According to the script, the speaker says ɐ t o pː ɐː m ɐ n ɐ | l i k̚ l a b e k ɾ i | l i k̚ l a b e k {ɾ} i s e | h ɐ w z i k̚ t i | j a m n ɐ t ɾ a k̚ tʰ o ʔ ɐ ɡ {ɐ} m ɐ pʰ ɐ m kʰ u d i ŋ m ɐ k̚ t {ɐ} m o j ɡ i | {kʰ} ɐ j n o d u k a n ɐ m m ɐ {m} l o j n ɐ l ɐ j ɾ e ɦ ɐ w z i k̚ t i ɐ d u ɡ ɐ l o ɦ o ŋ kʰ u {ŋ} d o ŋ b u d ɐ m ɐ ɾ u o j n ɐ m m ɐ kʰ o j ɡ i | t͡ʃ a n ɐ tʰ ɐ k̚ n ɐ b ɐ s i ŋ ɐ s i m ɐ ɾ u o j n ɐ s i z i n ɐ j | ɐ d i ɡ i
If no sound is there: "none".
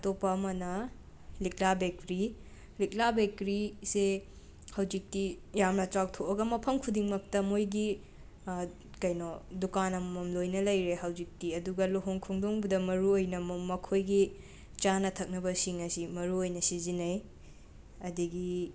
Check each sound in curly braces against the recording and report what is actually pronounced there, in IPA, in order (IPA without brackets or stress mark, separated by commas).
ɾ, ɐ, ɐ, k, m, ŋ